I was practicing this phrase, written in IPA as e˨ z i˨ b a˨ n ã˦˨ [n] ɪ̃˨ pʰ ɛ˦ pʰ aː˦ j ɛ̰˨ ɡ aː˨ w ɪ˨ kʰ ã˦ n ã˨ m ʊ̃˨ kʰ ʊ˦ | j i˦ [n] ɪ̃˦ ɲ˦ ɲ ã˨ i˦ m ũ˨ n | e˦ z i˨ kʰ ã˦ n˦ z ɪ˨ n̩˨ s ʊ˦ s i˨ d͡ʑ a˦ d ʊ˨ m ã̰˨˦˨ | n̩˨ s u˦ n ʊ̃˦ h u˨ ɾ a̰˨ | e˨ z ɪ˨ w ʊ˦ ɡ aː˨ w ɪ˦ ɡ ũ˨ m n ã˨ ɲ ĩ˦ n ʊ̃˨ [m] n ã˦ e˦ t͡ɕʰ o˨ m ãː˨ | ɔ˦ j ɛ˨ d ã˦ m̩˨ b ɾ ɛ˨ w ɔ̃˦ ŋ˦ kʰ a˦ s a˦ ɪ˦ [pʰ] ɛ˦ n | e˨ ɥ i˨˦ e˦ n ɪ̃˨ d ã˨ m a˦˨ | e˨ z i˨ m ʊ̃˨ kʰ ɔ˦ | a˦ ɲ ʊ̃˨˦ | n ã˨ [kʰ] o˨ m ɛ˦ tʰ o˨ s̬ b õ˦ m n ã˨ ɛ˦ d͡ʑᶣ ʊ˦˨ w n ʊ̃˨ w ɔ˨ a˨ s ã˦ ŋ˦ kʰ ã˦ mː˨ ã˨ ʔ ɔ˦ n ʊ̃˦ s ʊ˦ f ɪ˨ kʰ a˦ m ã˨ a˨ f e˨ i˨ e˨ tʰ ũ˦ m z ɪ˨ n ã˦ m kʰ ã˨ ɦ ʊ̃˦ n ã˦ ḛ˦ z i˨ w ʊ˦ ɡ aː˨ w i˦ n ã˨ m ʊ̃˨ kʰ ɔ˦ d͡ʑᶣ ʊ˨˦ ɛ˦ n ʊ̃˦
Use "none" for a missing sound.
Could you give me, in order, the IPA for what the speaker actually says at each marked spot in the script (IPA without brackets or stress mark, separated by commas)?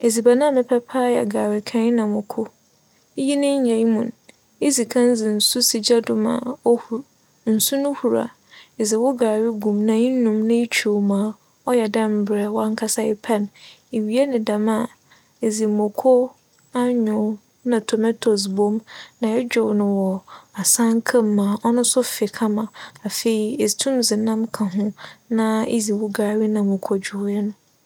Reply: m, n, m, pʰ, tʰ